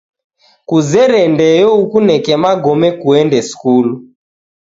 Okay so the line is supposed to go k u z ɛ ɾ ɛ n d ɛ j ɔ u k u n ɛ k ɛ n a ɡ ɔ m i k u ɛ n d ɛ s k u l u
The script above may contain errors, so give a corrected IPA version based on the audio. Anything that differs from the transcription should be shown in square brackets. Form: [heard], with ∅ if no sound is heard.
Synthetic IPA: k u z ɛ ɾ ɛ n d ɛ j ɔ u k u n ɛ k ɛ [m] a ɡ ɔ m [ɛ] k u ɛ n d ɛ s k u l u